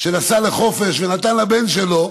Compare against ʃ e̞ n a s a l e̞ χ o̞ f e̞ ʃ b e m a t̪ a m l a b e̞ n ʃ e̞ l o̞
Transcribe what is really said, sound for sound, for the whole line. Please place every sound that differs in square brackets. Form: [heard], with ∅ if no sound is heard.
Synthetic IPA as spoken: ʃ e̞ n a s a l e̞ χ o̞ f e̞ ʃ [v] e [n] a t̪ a [n] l a b e̞ n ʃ e̞ l o̞